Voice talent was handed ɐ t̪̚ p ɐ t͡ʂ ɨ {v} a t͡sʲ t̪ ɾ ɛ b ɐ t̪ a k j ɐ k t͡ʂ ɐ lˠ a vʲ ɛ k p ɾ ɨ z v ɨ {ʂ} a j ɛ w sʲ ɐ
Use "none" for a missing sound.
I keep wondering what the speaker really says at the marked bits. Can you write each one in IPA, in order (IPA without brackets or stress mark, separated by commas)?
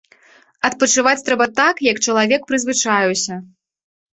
v, t͡ʂ